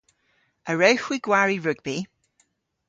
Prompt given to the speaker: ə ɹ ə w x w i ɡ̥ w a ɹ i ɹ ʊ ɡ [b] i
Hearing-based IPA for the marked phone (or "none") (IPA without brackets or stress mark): b